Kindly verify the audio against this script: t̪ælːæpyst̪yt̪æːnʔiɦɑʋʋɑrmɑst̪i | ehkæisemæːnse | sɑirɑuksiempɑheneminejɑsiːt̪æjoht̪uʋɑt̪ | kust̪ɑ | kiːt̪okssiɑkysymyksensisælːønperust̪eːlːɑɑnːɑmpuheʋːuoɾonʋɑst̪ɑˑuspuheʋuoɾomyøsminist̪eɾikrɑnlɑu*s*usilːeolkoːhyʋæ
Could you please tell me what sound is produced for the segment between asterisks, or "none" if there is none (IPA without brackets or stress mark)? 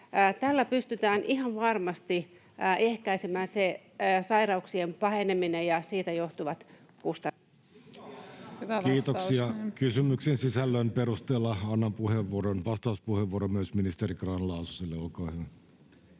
s